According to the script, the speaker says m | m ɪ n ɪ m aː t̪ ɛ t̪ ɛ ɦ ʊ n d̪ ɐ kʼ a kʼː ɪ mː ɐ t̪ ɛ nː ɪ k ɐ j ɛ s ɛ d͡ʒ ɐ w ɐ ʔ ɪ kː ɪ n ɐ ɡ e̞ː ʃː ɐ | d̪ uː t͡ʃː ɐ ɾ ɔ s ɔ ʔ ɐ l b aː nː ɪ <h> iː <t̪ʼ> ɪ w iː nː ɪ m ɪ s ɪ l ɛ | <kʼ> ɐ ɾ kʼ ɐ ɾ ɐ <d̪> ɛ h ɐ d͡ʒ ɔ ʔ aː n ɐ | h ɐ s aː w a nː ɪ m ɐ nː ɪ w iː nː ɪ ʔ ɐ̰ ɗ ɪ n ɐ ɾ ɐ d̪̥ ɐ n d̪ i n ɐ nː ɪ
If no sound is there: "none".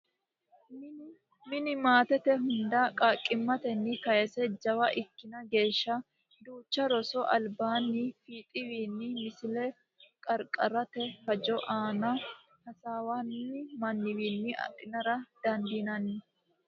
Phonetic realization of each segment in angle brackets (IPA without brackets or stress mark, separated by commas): f, t̪ʼ, kʼ, t̪